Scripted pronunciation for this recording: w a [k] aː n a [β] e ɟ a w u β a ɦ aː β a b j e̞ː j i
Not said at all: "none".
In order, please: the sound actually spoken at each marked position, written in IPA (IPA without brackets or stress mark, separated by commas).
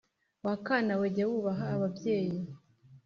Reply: k, w